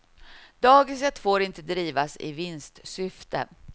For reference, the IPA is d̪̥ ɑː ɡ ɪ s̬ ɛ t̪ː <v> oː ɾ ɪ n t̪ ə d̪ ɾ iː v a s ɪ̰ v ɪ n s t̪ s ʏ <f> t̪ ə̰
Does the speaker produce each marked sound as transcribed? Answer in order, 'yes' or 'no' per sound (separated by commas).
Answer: no, yes